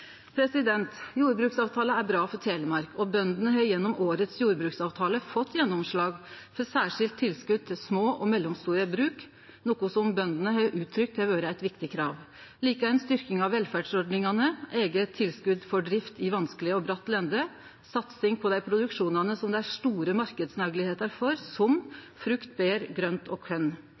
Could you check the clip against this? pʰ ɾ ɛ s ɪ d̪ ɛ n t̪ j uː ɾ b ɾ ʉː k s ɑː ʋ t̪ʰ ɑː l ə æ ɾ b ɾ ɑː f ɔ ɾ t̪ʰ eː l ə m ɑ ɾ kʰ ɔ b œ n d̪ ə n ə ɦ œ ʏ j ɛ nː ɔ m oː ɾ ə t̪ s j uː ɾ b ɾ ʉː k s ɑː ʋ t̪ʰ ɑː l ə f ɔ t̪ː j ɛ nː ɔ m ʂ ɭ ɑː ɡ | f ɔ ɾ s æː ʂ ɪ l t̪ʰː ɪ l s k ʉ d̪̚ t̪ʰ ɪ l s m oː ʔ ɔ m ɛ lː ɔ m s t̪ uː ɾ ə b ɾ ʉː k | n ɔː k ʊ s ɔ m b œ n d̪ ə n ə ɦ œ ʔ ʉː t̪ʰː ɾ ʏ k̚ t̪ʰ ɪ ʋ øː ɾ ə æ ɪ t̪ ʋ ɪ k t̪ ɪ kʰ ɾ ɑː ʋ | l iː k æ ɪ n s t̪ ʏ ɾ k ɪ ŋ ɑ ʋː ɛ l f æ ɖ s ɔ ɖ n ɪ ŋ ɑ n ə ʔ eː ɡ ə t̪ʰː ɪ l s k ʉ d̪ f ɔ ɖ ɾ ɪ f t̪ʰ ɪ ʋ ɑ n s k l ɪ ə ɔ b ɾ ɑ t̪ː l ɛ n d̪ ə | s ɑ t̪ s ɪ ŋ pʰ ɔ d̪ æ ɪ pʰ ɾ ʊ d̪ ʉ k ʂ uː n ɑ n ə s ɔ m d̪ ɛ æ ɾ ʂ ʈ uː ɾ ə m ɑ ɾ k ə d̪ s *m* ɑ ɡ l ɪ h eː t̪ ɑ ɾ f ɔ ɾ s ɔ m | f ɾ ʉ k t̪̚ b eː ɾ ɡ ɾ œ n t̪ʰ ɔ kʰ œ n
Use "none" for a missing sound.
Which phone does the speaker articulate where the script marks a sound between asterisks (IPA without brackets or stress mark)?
n